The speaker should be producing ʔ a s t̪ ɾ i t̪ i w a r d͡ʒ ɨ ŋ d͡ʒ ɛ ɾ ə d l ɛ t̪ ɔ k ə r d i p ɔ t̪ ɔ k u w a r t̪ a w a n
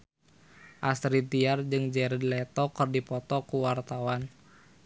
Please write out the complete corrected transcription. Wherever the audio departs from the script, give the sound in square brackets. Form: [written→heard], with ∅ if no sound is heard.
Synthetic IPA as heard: ʔ a s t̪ ɾ i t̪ i [w→∅] a r d͡ʒ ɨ ŋ d͡ʒ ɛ ɾ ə d l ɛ t̪ ɔ k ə r d i p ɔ t̪ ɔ k u w a r t̪ a w a n